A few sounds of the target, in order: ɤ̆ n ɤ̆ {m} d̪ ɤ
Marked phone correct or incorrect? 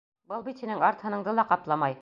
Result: incorrect